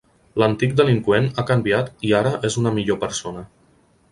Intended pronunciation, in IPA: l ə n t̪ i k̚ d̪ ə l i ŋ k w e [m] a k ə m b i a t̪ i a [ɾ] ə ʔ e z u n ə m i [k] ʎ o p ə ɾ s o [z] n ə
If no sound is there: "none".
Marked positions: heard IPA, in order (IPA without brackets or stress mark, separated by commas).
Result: n, ɾ, none, none